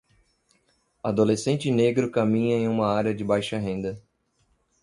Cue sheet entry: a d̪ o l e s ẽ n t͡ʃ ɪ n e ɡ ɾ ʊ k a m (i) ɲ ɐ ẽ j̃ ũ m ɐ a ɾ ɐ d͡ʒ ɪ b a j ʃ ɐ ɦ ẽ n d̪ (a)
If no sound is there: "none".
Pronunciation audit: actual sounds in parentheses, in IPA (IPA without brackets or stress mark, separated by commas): ĩ, ɐ